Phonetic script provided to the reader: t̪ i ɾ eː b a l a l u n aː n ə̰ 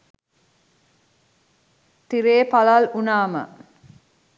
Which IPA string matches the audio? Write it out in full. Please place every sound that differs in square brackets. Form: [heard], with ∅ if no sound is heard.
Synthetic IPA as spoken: t̪ i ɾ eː [p] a l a l u n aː [m] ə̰